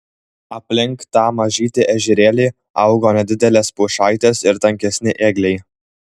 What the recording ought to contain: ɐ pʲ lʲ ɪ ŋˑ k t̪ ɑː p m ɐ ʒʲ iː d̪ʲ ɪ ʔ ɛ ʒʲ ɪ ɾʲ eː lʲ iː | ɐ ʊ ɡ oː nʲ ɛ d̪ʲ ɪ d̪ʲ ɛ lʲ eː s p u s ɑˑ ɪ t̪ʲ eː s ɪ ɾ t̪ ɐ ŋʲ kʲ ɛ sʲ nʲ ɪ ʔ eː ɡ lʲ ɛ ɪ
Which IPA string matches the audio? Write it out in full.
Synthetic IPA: ɐ pʲ lʲ ɪ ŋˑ k t̪ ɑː m ɐ ʒʲ iː t̪ʲ ɪ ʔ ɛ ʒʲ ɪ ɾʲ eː lʲ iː | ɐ ʊ ɡ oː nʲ ɛ d̪ʲ ɪ d̪ʲ ɛ lʲ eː s p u ʃ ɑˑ ɪ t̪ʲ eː s ɪ ɾ t̪ ɐ ŋʲ kʲ ɛ sʲ nʲ ɪ ʔ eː ɡ lʲ ɛ ɪ